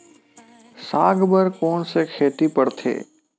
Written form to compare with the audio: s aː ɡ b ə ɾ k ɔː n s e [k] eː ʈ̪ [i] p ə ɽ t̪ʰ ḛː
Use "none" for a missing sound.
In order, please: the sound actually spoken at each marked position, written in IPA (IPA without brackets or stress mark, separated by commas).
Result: kʰ, i